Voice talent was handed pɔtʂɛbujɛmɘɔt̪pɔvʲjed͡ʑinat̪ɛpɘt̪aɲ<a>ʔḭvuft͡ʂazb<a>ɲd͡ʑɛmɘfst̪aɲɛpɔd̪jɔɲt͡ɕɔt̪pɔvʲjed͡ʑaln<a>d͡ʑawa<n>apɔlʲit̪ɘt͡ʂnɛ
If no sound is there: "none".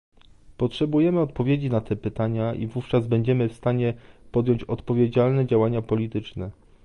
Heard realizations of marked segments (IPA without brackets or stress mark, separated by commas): a, ɛ, ɛ, ɲ